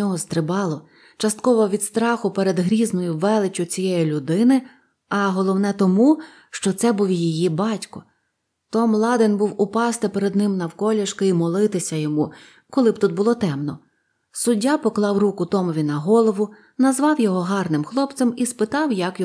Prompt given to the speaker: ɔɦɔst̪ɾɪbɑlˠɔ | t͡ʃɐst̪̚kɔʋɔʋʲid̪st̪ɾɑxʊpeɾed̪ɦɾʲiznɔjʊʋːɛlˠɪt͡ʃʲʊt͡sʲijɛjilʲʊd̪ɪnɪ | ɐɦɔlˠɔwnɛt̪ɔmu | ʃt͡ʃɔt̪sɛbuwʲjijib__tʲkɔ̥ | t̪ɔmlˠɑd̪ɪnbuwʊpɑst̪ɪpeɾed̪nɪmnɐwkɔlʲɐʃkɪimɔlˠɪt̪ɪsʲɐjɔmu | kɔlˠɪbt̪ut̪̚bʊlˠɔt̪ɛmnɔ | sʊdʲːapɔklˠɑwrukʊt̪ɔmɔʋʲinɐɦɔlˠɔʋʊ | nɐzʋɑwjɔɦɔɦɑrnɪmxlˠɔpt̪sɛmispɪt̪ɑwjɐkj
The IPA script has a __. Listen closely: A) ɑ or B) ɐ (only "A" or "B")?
A